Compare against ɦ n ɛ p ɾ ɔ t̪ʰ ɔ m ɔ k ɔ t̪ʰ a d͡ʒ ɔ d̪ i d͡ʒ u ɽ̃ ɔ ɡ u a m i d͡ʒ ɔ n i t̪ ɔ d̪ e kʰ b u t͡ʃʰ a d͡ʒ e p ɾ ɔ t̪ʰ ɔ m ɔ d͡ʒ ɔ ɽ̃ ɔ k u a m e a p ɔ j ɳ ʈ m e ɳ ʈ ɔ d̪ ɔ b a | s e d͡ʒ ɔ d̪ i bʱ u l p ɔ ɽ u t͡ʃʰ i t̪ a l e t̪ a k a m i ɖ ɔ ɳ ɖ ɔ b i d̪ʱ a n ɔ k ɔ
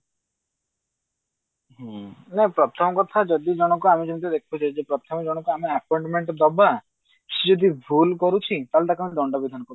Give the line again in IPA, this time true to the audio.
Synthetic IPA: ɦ n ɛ p ɾ ɔ t̪ʰ ɔ m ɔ k ɔ t̪ʰ a d͡ʒ ɔ d̪ i d͡ʒ ɔ ɽ̃ ɔ k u a m i d͡ʒ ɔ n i t̪ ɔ d̪ e kʰ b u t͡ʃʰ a d͡ʒ e p ɾ ɔ t̪ʰ ɔ m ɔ d͡ʒ ɔ ɽ̃ ɔ k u a m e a p ɔ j ɳ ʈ m e ɳ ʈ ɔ d̪ ɔ b a | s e d͡ʒ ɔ d̪ i bʱ u l k ɔ ɾ u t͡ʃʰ i t̪ a l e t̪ a k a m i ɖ ɔ ɳ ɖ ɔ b i d̪ʱ a n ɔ k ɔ